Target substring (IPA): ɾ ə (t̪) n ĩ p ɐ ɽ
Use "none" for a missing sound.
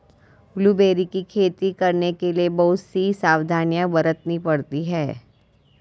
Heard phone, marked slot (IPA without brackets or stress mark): t̪